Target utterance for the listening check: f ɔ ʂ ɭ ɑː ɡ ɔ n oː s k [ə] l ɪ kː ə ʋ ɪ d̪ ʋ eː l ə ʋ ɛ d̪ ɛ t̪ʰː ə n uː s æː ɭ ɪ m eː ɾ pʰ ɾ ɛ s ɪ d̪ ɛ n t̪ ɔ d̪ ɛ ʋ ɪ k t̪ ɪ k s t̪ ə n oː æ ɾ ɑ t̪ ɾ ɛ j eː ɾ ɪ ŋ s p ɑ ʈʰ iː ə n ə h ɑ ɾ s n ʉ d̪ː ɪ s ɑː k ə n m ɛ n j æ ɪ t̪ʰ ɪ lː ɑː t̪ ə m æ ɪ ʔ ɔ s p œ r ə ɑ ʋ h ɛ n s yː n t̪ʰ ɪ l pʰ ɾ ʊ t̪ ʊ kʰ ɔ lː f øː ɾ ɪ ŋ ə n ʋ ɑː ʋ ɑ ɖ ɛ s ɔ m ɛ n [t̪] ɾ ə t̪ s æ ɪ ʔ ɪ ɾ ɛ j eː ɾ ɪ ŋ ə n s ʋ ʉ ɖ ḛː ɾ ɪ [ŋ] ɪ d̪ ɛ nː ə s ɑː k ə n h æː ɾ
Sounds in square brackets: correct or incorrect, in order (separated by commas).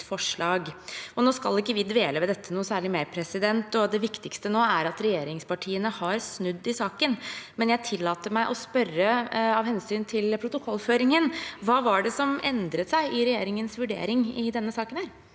incorrect, incorrect, correct